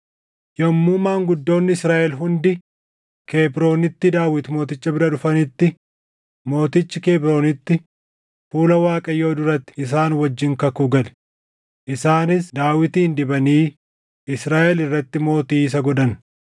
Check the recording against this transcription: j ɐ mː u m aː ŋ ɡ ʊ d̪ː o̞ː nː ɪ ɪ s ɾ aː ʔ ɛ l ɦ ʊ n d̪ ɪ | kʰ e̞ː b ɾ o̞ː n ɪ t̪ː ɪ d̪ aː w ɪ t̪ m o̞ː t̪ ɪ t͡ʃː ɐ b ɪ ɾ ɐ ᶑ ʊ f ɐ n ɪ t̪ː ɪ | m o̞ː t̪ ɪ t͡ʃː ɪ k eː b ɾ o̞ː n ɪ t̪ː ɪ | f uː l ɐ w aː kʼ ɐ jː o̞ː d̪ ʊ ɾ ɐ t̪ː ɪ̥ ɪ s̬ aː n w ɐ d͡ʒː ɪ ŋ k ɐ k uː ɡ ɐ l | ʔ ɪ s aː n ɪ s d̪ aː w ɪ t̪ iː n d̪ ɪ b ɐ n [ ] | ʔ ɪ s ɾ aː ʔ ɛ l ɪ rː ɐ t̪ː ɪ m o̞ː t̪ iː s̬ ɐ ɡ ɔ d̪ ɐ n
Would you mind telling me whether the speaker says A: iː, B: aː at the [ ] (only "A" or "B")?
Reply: A